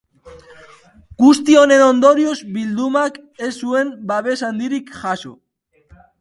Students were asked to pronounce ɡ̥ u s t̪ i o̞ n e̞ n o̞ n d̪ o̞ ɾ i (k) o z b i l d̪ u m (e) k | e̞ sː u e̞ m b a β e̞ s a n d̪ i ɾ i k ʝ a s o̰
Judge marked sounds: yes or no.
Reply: no, no

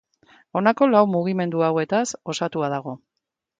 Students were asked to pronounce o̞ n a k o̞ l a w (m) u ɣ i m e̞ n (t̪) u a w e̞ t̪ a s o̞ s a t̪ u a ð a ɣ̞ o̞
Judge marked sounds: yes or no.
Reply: yes, no

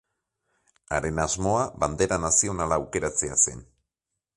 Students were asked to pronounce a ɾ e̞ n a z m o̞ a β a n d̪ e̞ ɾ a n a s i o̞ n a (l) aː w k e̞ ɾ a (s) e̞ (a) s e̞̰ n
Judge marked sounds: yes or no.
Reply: yes, no, yes

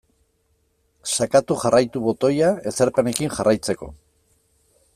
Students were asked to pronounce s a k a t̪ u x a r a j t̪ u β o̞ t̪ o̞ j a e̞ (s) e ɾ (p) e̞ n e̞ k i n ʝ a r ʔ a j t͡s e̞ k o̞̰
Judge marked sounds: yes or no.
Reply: yes, yes

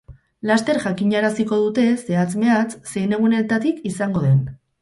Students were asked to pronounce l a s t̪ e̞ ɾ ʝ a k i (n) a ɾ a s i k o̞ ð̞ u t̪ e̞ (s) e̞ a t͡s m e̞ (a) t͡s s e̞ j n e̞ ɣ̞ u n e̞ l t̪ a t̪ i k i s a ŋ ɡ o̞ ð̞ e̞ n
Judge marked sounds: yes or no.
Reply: no, yes, yes

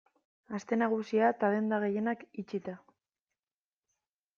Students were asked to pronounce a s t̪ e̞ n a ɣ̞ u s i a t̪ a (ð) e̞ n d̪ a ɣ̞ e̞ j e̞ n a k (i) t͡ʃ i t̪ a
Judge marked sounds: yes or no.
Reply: yes, yes

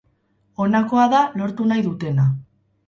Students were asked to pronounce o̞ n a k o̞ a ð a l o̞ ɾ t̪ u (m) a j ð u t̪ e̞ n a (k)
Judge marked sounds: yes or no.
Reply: no, no

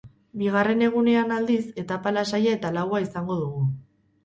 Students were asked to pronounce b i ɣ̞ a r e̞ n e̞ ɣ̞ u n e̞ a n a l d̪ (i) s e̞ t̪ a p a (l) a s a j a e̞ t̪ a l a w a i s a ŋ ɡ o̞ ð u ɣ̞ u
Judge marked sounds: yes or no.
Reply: yes, yes

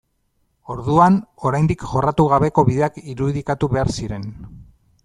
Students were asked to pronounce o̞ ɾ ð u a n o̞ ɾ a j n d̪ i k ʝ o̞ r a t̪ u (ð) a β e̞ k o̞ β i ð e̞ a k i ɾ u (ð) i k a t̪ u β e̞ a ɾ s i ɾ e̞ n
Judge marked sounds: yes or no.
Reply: no, yes

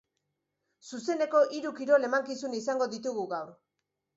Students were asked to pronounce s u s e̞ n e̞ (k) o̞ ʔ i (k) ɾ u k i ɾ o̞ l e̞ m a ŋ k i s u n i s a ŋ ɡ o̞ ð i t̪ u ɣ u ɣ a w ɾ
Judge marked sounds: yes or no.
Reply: yes, no

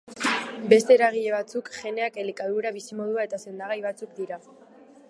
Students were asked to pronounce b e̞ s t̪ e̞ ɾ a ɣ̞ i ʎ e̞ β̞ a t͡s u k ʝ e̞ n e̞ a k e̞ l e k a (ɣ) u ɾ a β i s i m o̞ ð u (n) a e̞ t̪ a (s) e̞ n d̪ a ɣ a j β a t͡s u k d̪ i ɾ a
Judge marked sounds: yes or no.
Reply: no, no, yes

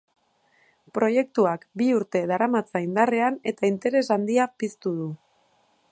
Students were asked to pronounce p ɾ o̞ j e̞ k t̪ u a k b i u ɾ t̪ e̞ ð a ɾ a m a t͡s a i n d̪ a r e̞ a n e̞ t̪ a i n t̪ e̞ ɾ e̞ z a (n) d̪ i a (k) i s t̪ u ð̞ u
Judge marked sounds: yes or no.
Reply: yes, no

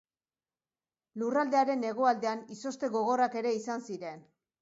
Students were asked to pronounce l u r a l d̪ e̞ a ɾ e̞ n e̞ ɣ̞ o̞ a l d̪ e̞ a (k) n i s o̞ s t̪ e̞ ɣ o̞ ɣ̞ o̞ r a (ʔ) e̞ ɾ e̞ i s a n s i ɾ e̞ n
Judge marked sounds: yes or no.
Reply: no, no

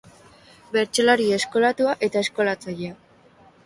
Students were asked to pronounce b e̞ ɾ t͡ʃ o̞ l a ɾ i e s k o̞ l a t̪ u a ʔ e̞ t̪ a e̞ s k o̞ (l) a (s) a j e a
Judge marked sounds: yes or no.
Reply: yes, no

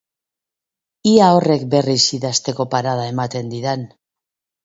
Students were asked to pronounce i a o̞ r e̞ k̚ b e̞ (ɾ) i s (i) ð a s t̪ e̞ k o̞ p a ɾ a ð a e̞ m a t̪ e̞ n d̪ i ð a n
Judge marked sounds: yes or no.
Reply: no, yes

